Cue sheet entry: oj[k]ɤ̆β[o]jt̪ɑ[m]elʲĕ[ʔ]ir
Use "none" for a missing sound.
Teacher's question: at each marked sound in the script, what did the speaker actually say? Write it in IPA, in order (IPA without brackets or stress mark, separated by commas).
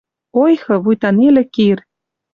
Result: x, u, n, k